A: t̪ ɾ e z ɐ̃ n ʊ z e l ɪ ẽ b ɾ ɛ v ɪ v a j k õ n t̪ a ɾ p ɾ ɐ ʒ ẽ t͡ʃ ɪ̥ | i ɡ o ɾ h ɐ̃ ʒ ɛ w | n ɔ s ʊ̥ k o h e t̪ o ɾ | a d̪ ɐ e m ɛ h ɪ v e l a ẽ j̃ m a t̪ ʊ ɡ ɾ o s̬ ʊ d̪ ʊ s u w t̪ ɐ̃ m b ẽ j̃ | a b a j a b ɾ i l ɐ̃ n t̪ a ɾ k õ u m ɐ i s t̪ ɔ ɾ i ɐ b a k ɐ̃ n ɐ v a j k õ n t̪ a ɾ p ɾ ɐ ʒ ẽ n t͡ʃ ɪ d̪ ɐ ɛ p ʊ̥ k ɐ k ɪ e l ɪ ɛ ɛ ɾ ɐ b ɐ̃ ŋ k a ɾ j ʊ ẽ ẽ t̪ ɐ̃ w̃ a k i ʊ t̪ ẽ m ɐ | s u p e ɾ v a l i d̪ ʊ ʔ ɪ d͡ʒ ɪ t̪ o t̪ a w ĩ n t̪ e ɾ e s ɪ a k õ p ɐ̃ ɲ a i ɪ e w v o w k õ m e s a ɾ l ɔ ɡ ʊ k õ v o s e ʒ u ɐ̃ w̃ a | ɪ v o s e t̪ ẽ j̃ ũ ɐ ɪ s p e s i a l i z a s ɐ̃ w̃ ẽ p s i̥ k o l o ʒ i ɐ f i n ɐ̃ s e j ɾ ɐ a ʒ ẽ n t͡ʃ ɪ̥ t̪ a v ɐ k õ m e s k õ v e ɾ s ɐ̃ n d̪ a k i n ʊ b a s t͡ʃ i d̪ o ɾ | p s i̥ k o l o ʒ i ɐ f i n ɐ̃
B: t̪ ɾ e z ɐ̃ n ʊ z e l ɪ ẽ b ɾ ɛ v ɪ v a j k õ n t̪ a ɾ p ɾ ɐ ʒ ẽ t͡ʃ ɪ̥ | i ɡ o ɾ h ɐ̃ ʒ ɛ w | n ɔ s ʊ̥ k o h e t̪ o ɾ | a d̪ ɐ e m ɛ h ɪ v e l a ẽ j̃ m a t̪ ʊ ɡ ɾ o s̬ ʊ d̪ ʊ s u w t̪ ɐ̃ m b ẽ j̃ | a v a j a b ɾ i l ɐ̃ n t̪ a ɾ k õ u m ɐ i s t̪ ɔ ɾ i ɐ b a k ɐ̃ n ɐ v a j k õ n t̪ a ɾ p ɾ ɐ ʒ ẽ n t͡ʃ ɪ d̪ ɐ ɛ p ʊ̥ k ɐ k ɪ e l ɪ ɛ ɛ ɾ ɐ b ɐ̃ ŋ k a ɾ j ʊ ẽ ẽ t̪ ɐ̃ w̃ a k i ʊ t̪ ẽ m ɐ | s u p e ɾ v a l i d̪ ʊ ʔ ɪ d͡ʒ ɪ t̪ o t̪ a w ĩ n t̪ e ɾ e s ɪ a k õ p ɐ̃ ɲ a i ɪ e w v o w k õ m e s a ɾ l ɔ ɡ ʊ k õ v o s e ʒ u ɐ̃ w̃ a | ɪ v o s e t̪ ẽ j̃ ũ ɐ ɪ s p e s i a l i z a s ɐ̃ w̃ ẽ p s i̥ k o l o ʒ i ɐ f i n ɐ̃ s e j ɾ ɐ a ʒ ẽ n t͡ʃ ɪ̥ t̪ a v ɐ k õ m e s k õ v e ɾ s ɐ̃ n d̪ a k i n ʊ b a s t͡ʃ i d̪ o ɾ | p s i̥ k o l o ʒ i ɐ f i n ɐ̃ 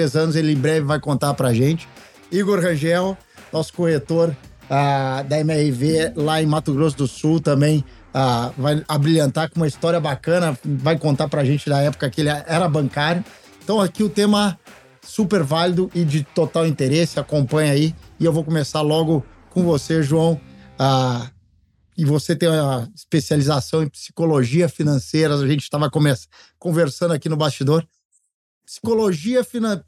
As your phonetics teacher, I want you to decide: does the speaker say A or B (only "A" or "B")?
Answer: B